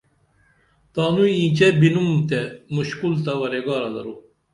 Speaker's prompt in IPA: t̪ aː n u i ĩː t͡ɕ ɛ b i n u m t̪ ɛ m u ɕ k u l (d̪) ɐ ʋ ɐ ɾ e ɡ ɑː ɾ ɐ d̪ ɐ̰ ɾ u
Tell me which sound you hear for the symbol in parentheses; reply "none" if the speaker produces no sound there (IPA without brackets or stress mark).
t̪